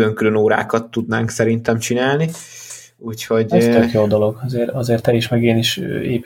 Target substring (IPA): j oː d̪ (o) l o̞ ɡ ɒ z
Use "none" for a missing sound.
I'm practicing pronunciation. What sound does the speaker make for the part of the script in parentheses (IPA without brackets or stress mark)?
o